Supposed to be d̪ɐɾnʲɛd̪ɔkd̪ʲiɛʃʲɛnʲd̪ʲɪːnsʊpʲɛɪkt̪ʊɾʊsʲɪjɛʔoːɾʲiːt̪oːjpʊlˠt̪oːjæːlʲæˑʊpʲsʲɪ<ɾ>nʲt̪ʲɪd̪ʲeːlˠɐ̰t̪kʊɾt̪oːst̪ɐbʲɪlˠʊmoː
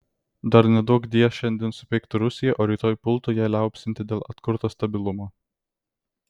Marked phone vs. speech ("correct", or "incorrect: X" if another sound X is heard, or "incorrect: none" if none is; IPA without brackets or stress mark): incorrect: none